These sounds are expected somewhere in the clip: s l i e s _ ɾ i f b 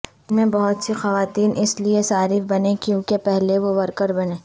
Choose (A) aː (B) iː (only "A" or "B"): A